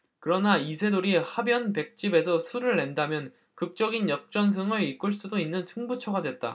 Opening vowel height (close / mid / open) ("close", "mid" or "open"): close